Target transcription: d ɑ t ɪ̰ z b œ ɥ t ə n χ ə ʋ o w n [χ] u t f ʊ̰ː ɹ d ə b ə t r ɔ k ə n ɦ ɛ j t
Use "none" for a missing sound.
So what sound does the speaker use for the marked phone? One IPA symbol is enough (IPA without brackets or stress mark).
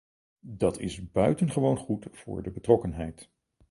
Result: χ